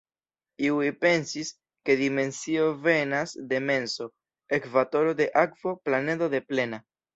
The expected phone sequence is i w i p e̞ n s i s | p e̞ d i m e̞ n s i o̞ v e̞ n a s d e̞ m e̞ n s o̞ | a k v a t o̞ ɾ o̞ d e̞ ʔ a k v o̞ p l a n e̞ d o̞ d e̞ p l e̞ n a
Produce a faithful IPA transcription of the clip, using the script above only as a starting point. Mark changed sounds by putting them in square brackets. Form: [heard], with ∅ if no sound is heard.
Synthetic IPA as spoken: i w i p e̞ n s i s | [k] e̞ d i m e̞ n s i o̞ v e̞ n a s d e̞ m e̞ n s o̞ | [e] k v a t o̞ ɾ o̞ d e̞ ʔ a k v o̞ p l a n e̞ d o̞ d e̞ p l e̞ n a